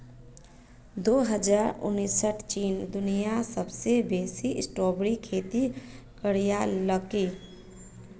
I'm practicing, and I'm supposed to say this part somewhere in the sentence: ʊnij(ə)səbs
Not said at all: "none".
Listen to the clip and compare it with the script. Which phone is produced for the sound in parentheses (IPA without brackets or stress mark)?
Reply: a